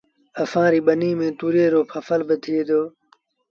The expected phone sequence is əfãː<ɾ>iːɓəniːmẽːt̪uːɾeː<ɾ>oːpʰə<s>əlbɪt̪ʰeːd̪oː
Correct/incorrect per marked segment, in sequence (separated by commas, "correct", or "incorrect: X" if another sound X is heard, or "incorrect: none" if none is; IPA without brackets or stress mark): correct, correct, incorrect: f